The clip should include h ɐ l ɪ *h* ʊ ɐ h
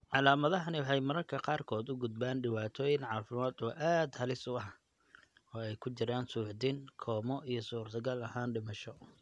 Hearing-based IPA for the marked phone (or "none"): s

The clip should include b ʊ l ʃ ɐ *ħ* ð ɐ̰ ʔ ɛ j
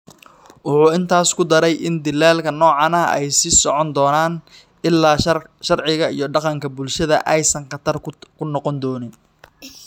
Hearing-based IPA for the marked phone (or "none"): none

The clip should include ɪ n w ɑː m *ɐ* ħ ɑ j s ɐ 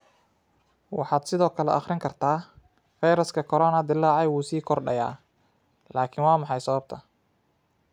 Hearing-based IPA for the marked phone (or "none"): ɑ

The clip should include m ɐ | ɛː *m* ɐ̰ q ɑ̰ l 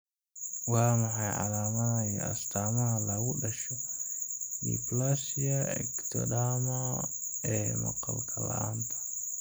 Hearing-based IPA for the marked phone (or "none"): m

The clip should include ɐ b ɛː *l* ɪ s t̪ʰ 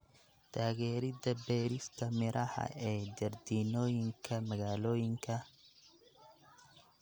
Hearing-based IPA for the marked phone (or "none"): ɾ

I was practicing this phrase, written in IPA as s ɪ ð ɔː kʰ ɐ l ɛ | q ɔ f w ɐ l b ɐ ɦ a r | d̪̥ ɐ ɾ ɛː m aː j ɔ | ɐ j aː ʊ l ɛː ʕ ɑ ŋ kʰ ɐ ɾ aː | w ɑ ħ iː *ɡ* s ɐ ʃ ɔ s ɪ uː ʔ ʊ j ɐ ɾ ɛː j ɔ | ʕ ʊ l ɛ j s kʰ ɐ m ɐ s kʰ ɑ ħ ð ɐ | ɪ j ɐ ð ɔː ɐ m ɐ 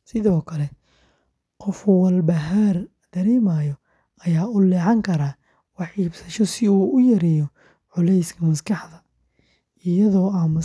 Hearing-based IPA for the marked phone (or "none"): b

